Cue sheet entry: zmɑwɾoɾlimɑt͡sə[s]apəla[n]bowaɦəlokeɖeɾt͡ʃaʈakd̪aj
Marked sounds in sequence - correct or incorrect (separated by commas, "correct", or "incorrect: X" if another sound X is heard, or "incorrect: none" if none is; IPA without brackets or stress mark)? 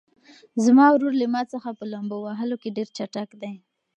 incorrect: x, incorrect: m